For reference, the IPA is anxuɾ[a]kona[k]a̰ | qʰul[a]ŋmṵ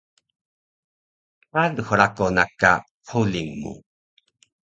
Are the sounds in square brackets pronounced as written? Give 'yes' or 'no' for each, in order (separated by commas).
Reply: yes, yes, no